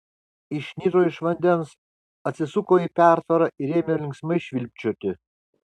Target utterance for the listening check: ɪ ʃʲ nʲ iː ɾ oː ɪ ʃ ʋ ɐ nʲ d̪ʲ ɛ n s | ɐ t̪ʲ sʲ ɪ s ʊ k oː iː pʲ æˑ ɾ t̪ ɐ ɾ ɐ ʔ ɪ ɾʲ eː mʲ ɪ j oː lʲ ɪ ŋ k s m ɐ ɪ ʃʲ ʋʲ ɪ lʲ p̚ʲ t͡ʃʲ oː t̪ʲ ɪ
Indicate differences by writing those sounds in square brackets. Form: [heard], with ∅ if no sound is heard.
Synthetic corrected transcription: ɪ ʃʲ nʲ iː ɾ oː ɪ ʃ ʋ ɐ nʲ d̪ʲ ɛ n s | ɐ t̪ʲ sʲ ɪ s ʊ k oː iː pʲ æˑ ɾ t̪ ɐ ɾ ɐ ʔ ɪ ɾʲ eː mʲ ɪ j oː lʲ ɪ ŋ k s m ɐ ɪ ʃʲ ʋʲ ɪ lʲ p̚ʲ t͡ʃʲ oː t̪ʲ ɪ